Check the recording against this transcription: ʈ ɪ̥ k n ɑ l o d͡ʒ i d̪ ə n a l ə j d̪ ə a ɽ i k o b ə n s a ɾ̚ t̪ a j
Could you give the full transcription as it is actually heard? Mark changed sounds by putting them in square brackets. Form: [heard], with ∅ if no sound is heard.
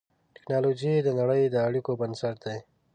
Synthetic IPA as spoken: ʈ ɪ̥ k n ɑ l o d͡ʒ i d̪ ə n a [ɽ] ə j d̪ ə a ɽ i k o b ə n s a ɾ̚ [d̪] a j